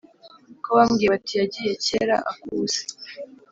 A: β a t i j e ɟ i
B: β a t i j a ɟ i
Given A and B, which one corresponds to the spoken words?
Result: B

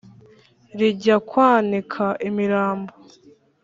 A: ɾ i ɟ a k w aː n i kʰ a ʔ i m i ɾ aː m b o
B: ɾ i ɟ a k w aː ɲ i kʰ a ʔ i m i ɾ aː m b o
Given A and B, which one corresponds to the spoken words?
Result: A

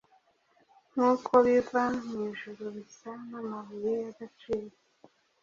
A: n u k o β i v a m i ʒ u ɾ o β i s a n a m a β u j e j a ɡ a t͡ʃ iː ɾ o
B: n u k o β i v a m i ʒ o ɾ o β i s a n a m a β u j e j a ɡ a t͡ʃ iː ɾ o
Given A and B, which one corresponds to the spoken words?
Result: A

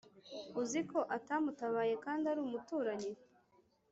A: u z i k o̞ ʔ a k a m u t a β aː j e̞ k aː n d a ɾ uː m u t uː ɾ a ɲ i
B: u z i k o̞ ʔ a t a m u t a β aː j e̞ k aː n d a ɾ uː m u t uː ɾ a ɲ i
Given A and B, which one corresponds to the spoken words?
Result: B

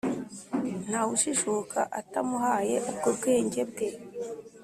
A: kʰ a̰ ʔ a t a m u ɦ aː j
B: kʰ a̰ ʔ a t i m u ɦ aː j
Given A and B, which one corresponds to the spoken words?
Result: A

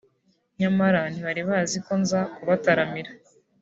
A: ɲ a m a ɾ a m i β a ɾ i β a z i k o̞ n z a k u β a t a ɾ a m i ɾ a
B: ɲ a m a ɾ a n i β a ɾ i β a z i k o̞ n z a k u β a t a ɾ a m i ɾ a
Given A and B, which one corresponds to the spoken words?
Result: B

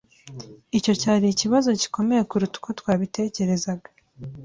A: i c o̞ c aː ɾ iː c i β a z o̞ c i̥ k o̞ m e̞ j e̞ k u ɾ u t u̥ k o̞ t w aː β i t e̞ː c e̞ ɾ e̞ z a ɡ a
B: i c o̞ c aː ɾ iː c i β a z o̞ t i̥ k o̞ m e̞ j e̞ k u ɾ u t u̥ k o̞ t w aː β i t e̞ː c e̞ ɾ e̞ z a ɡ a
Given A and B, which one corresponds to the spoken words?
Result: A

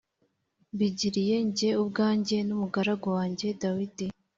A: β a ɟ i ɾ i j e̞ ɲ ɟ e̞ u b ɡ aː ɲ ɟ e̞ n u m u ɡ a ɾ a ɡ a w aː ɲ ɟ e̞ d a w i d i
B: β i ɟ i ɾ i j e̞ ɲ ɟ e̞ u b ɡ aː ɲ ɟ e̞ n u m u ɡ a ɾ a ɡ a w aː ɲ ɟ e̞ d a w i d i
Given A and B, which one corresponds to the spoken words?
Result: B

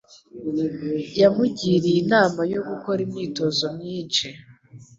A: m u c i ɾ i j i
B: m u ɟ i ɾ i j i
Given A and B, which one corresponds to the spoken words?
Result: B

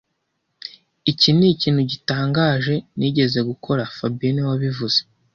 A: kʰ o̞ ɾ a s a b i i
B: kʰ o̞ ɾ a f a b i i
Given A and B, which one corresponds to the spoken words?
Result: B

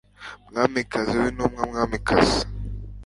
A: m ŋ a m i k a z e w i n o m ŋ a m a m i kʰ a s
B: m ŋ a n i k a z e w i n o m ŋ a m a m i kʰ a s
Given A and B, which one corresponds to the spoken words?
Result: A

